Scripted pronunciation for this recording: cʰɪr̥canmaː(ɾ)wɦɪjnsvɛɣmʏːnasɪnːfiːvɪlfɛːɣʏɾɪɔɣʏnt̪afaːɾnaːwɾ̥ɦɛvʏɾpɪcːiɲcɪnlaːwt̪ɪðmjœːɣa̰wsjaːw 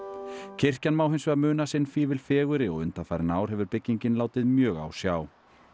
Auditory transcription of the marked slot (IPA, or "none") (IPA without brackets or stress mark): none